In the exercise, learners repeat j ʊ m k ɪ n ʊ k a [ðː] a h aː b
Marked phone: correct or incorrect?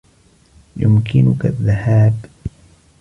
correct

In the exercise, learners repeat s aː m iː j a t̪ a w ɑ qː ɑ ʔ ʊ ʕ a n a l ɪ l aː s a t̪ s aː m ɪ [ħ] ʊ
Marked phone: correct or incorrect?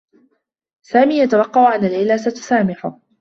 correct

